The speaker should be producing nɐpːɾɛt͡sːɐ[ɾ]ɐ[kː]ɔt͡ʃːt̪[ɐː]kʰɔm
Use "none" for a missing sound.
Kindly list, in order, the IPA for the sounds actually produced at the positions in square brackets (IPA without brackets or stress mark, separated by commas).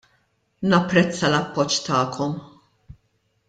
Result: l, pː, ɐː